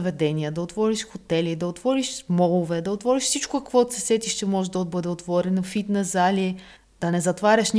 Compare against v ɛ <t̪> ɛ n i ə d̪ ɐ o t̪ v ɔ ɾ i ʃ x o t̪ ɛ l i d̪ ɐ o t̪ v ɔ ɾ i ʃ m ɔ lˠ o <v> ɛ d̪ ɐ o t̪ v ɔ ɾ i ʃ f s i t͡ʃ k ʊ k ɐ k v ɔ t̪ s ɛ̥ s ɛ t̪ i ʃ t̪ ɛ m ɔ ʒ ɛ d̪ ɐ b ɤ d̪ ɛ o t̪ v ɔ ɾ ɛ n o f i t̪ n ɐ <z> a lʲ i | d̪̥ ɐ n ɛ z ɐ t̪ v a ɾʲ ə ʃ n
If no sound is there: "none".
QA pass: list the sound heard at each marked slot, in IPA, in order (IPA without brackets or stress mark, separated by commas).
d̪, v, z